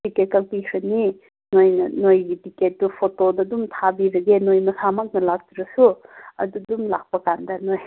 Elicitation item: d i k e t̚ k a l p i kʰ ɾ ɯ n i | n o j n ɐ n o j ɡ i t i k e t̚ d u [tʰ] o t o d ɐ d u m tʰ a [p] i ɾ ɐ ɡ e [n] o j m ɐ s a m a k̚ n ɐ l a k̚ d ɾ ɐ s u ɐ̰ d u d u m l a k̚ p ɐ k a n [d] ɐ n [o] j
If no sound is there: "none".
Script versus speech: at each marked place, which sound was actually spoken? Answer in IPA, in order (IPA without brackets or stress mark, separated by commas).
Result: pʰ, b, n, d, o